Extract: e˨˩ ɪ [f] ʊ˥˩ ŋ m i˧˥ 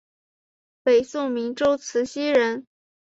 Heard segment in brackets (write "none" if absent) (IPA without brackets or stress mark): s